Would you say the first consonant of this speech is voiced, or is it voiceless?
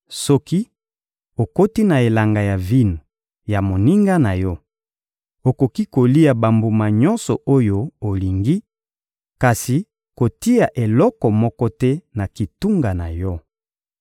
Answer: voiceless